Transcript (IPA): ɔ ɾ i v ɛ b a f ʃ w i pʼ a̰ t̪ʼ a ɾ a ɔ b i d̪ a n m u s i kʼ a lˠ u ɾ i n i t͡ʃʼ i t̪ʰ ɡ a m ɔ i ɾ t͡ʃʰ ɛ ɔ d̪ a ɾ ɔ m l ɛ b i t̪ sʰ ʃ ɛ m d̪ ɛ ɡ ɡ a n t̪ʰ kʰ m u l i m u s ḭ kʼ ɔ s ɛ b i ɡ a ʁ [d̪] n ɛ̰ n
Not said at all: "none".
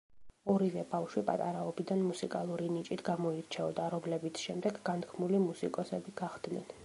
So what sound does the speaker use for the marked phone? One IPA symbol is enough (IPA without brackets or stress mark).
d̪